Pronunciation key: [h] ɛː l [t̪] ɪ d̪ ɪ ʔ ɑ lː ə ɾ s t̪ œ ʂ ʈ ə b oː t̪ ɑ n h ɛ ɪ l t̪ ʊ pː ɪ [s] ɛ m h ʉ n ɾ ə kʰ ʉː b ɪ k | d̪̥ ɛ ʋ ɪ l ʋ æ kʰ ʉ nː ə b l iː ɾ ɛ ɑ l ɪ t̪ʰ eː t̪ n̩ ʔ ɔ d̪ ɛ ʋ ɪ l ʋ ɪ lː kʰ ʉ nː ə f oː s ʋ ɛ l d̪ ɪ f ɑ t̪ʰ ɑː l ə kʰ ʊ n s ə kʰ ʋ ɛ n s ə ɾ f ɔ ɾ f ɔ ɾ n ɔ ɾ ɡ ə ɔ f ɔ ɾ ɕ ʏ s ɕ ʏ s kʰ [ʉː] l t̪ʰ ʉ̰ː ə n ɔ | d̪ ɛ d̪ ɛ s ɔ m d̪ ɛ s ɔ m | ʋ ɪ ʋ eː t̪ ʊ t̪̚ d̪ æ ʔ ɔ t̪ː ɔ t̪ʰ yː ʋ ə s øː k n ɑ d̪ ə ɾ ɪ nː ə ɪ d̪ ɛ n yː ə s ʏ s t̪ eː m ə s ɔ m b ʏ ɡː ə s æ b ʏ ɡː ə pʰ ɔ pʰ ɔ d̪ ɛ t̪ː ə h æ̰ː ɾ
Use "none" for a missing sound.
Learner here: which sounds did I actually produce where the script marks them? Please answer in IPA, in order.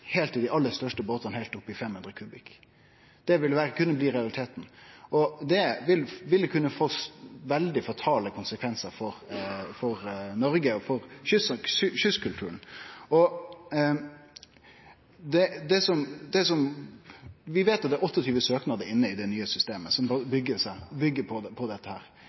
h, t̪, f, ʉ

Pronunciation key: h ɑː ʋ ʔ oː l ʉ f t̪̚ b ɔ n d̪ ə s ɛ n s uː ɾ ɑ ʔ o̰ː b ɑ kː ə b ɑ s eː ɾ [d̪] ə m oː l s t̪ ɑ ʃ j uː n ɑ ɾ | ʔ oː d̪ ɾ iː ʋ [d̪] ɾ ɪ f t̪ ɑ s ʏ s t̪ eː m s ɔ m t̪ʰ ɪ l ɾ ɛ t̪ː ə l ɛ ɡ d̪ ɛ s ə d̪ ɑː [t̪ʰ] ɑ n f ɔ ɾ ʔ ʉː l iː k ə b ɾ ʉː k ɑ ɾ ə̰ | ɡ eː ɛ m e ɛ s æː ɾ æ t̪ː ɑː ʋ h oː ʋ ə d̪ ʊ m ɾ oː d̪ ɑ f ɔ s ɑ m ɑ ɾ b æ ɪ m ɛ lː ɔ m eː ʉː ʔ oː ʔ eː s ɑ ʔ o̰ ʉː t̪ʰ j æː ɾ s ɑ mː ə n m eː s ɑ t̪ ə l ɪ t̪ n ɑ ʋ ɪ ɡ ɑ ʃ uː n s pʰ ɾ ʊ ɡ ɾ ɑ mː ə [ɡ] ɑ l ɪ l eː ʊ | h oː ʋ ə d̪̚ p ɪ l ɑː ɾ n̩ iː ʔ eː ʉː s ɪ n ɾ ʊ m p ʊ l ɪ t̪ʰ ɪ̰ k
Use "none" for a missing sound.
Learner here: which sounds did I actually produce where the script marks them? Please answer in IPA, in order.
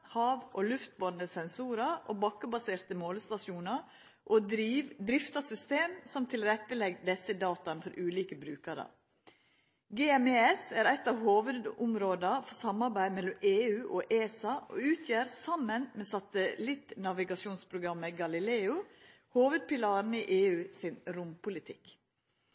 t̪, d̪, t̪, ɡ

